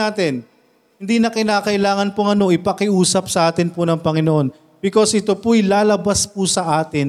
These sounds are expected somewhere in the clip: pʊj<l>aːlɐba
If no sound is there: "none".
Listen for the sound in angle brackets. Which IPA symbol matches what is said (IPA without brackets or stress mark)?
l